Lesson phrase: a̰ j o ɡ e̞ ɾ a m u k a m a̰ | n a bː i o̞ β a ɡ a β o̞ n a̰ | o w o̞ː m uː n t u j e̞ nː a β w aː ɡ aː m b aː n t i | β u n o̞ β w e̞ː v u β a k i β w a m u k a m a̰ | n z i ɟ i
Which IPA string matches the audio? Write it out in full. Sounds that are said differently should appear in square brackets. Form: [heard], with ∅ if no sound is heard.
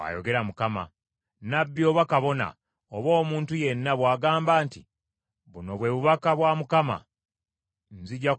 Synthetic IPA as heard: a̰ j o ɡ e̞ ɾ a m u k a m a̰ | n a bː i o̞ β a [k] a β o̞ n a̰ | o [β] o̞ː m uː n t u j e̞ nː a β w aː ɡ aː m b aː n t i | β u n o̞ β w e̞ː [β] u β a k [a] β w a m u k a m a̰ | n z i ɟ [a]